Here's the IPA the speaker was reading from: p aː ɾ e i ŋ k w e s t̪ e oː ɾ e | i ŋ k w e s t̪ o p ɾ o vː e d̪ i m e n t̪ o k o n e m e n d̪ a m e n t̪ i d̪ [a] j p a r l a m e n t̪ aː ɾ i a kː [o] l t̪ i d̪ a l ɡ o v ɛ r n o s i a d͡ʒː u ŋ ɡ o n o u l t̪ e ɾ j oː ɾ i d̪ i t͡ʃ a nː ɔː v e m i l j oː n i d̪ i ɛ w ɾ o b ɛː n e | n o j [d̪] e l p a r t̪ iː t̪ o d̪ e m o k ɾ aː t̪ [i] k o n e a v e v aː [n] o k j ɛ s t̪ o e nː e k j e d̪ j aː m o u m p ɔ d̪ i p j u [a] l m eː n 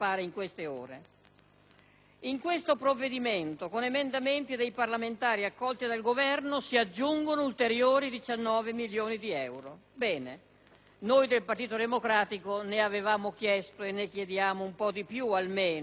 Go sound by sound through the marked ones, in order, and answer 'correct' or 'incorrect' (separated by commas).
incorrect, incorrect, correct, correct, incorrect, correct